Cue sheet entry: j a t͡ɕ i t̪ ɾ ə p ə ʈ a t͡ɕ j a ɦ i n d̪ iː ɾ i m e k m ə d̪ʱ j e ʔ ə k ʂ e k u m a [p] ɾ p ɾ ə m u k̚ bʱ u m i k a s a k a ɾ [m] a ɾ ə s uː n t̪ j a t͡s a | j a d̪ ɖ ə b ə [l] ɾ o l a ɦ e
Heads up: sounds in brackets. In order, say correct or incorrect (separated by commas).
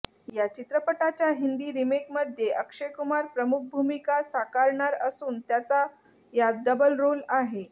incorrect, incorrect, correct